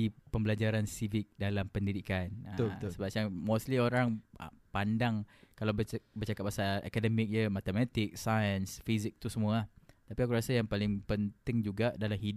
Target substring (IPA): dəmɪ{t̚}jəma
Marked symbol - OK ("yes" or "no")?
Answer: no